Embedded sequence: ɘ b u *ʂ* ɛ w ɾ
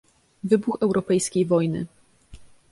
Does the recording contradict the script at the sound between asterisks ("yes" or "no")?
yes